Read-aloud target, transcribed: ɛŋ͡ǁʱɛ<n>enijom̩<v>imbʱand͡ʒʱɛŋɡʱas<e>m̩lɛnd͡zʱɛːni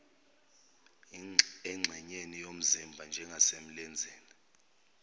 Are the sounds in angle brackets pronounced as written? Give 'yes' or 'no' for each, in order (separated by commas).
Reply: no, no, yes